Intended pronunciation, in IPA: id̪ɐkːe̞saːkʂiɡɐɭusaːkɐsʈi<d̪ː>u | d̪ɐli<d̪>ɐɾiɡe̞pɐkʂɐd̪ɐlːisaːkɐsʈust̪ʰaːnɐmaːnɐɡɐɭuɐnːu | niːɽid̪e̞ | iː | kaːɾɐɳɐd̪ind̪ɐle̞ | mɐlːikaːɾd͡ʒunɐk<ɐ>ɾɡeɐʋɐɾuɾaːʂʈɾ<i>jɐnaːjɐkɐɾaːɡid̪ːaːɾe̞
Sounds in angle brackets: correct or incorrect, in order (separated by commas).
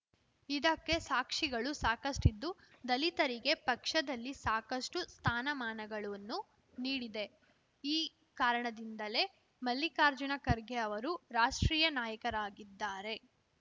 correct, incorrect, correct, incorrect